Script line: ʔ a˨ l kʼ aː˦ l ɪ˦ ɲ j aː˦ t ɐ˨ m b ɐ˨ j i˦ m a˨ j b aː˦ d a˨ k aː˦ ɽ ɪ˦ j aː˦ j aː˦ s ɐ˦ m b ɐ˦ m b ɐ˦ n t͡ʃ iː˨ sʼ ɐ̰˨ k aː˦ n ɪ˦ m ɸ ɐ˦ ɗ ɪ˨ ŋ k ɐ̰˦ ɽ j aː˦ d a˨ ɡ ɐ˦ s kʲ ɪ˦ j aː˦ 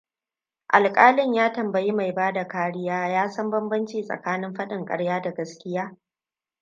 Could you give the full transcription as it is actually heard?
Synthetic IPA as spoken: ʔ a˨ l kʼ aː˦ l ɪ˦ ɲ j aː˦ t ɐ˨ m b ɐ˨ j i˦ m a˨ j b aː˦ d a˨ k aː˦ ɽ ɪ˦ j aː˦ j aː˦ s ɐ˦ m b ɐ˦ m b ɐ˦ n t͡ʃ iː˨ sʼ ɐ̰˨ k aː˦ n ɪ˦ m ɸ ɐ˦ ɗ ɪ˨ ŋ kʼ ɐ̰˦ ɽ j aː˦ d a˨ ɡ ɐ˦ s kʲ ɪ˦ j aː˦

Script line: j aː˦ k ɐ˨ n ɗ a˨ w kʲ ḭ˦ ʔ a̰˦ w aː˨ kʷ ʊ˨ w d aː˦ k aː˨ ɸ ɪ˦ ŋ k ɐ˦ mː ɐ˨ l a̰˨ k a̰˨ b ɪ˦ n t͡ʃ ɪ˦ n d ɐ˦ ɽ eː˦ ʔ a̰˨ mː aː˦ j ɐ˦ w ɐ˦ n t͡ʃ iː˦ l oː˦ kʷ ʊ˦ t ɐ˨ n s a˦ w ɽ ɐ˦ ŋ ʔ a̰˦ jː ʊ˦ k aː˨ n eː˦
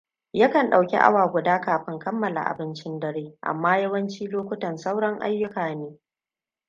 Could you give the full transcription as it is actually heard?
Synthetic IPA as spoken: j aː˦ k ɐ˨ n ɗ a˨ w kʲ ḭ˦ ʔ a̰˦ w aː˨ ɡʷ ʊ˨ d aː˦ k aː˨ ɸ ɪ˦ ŋ k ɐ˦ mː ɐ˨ l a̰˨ ʔ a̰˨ b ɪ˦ n t͡ʃ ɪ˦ n d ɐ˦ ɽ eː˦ ʔ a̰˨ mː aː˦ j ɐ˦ w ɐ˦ n t͡ʃ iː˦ l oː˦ kʷ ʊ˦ t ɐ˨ n s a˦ w ɽ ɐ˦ ŋ ʔ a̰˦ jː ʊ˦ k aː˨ n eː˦

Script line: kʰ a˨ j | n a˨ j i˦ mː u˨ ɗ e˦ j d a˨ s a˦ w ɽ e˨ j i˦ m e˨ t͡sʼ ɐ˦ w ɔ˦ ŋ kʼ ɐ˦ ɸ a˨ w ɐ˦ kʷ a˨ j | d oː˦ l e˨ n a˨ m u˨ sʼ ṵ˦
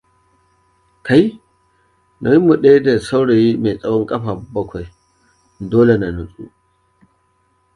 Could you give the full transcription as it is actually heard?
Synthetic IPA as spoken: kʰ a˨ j | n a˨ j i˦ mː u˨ ɗ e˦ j d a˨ s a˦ w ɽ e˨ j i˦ m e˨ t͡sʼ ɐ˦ w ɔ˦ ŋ kʼ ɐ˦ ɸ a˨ b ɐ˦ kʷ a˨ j | d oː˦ l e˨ n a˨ n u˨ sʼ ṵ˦

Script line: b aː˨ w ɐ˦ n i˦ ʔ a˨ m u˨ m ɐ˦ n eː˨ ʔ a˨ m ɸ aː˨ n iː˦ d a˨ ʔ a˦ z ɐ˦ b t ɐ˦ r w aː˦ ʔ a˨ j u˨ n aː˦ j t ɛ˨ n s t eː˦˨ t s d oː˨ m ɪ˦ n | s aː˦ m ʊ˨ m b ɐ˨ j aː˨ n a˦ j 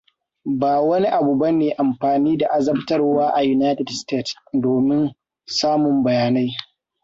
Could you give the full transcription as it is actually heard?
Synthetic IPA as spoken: b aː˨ w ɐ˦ n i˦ ʔ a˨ b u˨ b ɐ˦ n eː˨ ʔ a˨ m ɸ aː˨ n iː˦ d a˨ ʔ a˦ z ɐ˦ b t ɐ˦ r w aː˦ ʔ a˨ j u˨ n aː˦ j t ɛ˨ d s t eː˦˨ t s d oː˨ m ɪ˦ n | s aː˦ m ʊ˨ m b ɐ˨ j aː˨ n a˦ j

